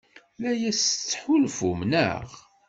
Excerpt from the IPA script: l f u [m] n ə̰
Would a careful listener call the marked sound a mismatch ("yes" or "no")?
no